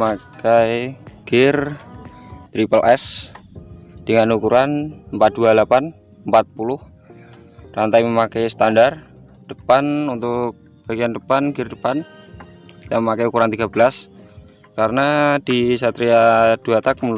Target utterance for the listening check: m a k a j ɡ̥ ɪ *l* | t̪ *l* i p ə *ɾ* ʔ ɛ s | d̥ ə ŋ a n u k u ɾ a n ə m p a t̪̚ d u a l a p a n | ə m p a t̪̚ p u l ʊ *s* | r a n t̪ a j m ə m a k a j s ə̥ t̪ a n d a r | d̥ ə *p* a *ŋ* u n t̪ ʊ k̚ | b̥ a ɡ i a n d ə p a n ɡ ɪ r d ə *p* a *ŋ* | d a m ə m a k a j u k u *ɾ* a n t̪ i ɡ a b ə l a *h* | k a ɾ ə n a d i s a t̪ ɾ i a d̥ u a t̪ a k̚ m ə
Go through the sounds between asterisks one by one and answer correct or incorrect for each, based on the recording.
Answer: incorrect: r, incorrect: ɾ, incorrect: l, incorrect: h, correct, incorrect: n, correct, incorrect: n, correct, incorrect: s

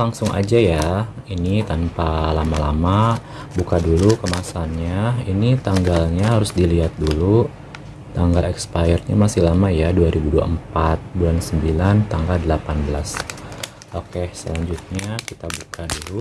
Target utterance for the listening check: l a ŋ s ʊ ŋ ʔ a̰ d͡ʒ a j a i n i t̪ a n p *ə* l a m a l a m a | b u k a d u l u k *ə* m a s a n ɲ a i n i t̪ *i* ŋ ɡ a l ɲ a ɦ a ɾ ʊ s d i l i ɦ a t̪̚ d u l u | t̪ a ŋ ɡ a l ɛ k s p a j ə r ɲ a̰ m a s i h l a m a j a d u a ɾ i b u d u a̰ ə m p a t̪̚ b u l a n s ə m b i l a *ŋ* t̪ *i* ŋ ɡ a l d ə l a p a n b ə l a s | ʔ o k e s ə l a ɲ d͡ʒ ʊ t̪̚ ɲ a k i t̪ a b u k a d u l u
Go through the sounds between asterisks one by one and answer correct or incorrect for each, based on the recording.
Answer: incorrect: a, correct, incorrect: a, incorrect: n, incorrect: a

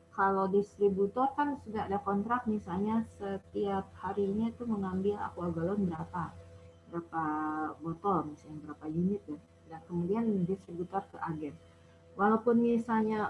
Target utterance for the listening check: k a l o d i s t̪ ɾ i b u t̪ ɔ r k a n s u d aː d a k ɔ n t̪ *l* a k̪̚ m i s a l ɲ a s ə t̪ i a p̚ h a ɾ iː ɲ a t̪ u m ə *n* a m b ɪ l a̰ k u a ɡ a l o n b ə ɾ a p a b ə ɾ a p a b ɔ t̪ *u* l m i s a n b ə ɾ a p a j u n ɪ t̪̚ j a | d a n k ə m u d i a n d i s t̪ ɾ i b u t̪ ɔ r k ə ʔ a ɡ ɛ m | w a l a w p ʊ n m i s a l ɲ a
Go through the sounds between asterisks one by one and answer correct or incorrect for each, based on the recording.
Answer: incorrect: ɾ, incorrect: ŋ, incorrect: ɔ

